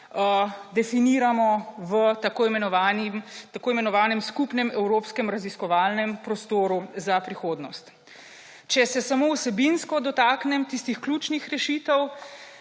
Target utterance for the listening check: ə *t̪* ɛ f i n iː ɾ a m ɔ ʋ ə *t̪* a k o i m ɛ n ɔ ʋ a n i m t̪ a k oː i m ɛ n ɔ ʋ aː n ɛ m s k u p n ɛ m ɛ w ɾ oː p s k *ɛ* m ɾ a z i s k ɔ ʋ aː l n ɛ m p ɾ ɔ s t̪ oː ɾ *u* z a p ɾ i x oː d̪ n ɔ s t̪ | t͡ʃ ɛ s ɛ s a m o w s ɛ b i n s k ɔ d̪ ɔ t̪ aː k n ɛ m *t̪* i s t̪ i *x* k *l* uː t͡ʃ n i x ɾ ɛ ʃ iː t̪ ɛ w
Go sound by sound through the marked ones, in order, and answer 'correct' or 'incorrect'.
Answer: incorrect: d̪, correct, correct, correct, correct, correct, correct

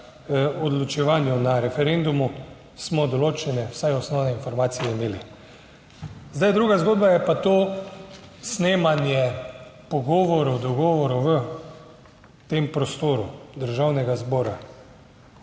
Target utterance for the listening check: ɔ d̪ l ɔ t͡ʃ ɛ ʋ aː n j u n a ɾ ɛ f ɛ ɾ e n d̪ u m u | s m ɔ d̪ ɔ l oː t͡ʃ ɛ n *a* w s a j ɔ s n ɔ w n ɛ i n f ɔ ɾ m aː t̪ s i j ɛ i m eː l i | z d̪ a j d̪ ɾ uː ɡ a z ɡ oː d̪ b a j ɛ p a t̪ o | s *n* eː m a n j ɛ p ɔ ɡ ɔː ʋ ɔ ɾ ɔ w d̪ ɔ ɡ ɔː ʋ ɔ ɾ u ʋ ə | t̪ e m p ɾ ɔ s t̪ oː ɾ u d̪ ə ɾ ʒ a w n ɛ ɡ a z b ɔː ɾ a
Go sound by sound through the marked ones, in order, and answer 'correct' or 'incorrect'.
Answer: incorrect: ɛ, correct

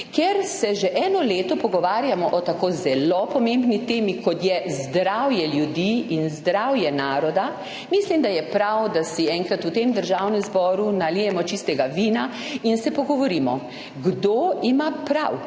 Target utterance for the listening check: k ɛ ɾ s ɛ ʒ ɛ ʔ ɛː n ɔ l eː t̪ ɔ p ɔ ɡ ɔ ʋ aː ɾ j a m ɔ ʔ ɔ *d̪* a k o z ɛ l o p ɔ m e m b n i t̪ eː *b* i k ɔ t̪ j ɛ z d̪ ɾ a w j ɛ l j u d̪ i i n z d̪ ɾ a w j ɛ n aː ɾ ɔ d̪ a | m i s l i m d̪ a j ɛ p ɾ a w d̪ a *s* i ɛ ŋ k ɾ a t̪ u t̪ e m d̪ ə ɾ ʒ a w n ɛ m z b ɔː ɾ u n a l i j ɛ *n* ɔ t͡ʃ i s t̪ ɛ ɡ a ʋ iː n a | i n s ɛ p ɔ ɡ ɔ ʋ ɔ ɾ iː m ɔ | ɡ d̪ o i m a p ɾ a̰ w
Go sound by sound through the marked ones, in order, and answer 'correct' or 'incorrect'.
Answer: incorrect: t̪, incorrect: m, correct, incorrect: m

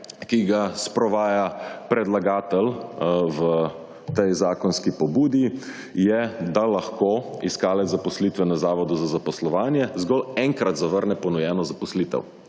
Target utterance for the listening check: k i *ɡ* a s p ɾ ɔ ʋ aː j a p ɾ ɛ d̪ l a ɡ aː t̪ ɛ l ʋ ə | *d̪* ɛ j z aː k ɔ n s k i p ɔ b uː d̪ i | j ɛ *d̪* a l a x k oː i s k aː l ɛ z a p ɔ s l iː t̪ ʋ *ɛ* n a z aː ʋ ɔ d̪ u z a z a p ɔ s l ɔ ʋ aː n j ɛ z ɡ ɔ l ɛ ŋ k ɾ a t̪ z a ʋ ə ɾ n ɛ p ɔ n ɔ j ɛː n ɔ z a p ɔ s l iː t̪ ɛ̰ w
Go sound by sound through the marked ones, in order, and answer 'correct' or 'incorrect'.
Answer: correct, incorrect: t̪, correct, correct

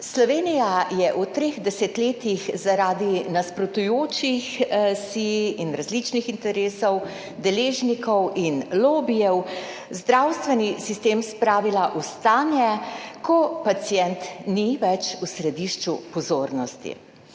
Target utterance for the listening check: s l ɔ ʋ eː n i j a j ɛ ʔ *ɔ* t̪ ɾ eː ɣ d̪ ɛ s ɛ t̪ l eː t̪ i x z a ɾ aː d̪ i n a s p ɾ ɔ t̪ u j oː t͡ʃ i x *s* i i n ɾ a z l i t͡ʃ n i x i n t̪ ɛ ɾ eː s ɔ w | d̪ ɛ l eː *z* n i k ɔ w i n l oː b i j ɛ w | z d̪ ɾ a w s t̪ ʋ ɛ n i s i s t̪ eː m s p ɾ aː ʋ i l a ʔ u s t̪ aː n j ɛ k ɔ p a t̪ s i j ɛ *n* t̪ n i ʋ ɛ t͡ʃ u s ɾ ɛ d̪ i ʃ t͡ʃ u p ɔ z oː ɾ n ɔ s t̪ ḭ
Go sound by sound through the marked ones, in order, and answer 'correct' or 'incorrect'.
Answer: incorrect: u, correct, incorrect: ʒ, correct

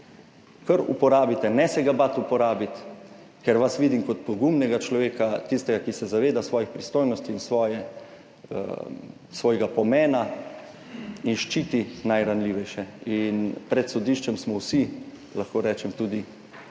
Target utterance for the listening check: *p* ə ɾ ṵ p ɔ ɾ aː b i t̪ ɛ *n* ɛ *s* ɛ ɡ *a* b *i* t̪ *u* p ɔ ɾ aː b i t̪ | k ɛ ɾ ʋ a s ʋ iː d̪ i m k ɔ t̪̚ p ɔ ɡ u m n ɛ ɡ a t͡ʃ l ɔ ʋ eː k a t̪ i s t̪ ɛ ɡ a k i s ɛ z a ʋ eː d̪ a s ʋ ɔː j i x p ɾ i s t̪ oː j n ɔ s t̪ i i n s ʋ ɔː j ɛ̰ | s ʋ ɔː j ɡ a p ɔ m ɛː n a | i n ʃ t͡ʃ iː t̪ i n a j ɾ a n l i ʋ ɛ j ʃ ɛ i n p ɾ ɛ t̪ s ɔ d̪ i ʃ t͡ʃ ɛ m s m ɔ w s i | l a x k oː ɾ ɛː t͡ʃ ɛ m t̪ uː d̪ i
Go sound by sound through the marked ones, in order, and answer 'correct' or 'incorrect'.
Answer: incorrect: k, correct, correct, correct, incorrect: a, correct

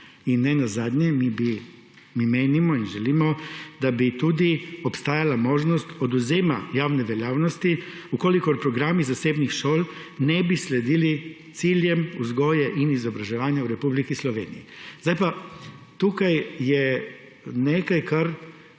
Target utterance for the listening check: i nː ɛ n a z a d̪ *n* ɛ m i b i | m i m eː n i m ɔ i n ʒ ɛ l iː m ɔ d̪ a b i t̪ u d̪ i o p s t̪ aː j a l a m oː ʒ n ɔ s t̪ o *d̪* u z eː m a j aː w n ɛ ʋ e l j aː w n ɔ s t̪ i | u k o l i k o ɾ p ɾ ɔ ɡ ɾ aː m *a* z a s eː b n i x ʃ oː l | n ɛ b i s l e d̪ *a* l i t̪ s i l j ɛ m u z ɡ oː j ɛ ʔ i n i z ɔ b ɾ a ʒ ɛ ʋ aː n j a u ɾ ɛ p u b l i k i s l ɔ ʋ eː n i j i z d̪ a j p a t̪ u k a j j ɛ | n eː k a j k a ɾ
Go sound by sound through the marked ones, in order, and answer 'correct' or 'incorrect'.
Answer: incorrect: ɲ, correct, incorrect: i, incorrect: i

